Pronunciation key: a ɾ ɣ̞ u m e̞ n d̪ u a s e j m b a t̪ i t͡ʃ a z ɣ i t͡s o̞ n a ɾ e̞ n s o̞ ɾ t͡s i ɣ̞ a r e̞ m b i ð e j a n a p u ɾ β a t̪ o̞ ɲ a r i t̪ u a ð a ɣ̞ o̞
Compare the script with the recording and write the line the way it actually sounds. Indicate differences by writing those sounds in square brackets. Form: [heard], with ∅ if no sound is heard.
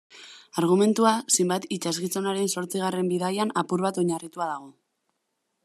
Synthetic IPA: a ɾ ɣ̞ u m e̞ n [t̪] u a s e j m b a t̪ i t͡ʃ a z ɣ i t͡s o̞ n a ɾ e̞ n s o̞ ɾ t͡s i ɣ̞ a r e̞ m b i ð [a] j a n a p u ɾ β a t̪ o̞ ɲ a r i t̪ u a ð a ɣ̞ o̞

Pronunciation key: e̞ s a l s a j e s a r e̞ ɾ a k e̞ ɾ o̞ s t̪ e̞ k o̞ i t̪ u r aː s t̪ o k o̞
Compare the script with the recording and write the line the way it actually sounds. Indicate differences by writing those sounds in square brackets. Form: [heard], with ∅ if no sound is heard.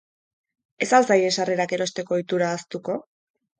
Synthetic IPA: e̞ s a l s a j e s a r e̞ ɾ a k e̞ ɾ o̞ s t̪ e̞ k o̞ i t̪ u [ɾ] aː s t̪ [u] k o̞

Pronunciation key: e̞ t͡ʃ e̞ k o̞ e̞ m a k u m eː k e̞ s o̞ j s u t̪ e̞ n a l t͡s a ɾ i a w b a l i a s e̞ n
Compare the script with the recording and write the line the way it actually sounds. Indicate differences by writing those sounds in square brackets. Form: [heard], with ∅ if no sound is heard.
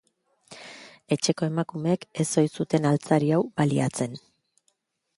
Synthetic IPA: e̞ t͡ʃ e̞ k o̞ e̞ m a k u m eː k e̞ s o̞ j s u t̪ e̞ n a l t͡s a ɾ i a w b a l i a [t͡s] e̞ n

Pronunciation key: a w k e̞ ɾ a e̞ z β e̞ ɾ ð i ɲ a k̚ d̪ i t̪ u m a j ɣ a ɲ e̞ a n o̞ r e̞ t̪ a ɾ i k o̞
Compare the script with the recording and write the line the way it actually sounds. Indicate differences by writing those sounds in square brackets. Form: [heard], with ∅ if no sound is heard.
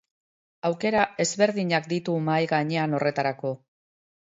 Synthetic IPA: a w k e̞ ɾ a e̞ z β e̞ ɾ ð i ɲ a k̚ d̪ i t̪ u m a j ɣ a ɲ e̞ a n o̞ r e̞ t̪ a ɾ [a] k o̞

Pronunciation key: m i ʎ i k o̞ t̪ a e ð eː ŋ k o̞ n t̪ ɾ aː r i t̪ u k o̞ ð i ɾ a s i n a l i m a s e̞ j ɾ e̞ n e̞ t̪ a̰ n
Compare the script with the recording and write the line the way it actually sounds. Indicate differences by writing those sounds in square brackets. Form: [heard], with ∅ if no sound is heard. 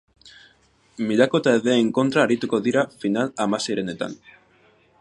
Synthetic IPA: m i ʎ [a] k o̞ t̪ a e ð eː ŋ k o̞ n t̪ ɾ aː [ɾ] i t̪ u k o̞ ð i ɾ a [f] i n a l [a] m a s e̞ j ɾ e̞ n e̞ t̪ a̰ n

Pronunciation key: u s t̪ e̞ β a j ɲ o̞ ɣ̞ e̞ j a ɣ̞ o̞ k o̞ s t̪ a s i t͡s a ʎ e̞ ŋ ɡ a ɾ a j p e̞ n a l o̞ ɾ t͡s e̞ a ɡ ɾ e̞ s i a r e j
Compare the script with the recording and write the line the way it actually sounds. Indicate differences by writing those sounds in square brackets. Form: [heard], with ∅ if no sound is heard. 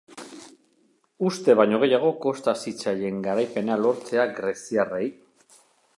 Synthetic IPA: u s t̪ e̞ β a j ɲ o̞ ɣ̞ e̞ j a ɣ̞ o̞ k o̞ s t̪ a s i t͡s a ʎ e̞ ŋ ɡ a ɾ a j p e̞ n a l o̞ ɾ t͡s e̞ a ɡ ɾ e̞ s i a r e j

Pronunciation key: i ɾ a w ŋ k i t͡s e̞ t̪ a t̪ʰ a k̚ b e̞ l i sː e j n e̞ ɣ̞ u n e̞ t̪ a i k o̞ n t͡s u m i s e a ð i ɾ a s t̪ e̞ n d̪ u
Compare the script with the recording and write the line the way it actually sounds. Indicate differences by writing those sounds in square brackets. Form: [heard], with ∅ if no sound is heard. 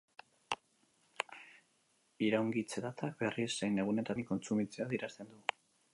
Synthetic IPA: i ɾ a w ŋ [ɡ] i t͡s e̞ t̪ a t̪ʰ a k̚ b e̞ [r] i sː e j n e̞ ɣ̞ u n e̞ t̪ a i k o̞ n t͡s u m i [t͡s] e a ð i ɾ a s t̪ e̞ n d̪ u

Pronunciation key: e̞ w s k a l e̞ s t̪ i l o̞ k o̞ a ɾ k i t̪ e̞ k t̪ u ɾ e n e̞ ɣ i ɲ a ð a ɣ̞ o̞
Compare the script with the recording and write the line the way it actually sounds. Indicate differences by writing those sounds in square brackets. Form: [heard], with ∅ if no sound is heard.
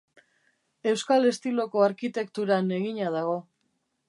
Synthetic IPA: e̞ w s k a l e̞ s t̪ i l o̞ k o̞ a ɾ k i t̪ e̞ k t̪ u ɾ [a] n e̞ ɣ i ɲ a ð a ɣ̞ o̞

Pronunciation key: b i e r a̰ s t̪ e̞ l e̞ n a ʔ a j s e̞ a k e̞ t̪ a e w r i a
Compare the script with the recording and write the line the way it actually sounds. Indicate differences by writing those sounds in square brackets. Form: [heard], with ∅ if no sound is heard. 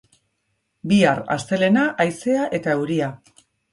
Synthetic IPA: b i [a] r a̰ s t̪ e̞ l e̞ n a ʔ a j s e̞ a [ʔ] e̞ t̪ a e w [ɾ] i a

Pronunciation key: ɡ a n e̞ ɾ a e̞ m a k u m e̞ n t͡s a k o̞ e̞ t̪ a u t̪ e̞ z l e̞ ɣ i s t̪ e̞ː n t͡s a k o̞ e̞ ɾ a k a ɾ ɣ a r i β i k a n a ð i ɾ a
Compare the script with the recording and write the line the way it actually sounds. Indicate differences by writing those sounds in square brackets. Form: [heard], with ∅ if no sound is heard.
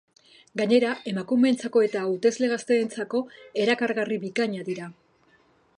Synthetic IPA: ɡ a [ɲ] e̞ ɾ a e̞ m a k u m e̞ n t͡s a k o̞ e̞ t̪ a u t̪ e̞ z l e̞ ɣ [a] s t̪ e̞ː n t͡s a k o̞ e̞ ɾ a k a ɾ ɣ a r i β i k a [ɲ] a ð i ɾ a

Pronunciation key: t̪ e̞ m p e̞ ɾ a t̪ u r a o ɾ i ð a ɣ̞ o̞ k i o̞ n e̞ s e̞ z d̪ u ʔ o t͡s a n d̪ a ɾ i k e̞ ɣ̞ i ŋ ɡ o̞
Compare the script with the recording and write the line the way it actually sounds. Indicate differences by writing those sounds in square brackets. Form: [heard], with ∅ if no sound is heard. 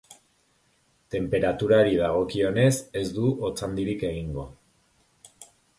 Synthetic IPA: t̪ e̞ m p e̞ ɾ a t̪ u [ɾ] a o ɾ i ð a ɣ̞ o̞ k i o̞ n e̞ s e̞ z d̪ u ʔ o t͡s a n d̪ [i] ɾ i k e̞ ɣ̞ i ŋ ɡ o̞

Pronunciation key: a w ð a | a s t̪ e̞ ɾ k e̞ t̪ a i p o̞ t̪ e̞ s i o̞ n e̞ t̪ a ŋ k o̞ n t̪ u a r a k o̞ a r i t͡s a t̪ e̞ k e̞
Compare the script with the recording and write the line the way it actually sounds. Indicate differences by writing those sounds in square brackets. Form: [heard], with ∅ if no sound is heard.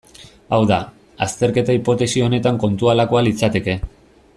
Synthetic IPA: a w ð a | a s t̪ e̞ ɾ k e̞ t̪ a i p o̞ t̪ e̞ s i o̞ n e̞ t̪ a ŋ k o̞ n t̪ u a [l] a k o̞ a [l] i t͡s a t̪ e̞ k e̞

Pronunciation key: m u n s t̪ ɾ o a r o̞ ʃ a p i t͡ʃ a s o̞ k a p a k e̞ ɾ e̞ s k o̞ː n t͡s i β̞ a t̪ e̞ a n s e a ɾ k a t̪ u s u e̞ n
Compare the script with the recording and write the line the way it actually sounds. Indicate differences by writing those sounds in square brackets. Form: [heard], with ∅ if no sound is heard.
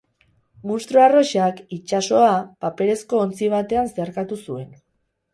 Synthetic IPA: m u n s t̪ ɾ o a r o̞ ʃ a [k] i t͡ʃ a s o̞ [∅] a p a [p] e̞ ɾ e̞ s k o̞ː n t͡s i β̞ a t̪ e̞ a n s e a ɾ k a t̪ u s u e̞ n

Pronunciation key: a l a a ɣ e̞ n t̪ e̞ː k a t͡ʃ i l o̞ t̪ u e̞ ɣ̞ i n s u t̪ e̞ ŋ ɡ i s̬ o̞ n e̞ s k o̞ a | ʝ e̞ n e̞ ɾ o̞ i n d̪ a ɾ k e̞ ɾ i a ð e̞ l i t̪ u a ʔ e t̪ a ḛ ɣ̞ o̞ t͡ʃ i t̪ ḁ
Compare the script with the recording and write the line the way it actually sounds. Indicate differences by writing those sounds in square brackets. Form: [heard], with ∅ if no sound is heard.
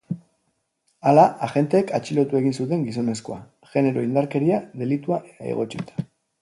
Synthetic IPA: a l a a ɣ e̞ n t̪ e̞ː k a t͡ʃ i l o̞ t̪ u e̞ ɣ̞ i n s u t̪ e̞ ŋ ɡ i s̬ o̞ n e̞ s k o̞ a | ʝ e̞ n e̞ ɾ o̞ i n d̪ a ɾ k e̞ ɾ i a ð e̞ l i t̪ u a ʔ e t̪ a ḛ ɣ̞ o̞ t͡ʃ i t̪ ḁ

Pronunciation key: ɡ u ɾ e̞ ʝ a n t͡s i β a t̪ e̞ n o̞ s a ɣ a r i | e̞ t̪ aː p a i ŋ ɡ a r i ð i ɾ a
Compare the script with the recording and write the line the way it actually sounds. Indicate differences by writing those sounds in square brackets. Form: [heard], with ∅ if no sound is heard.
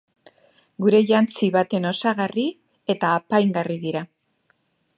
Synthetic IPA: ɡ u ɾ e̞ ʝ a n t͡s i β a t̪ e̞ n o̞ s a ɣ a r i | e̞ t̪ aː p a [j] ŋ ɡ a r i ð i ɾ a

